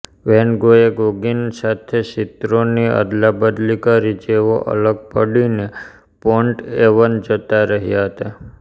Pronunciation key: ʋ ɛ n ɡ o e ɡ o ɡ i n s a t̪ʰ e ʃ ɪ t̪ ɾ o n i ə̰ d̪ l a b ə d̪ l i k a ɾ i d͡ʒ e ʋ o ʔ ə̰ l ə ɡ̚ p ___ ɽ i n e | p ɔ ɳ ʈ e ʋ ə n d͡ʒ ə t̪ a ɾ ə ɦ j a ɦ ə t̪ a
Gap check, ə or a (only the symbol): ə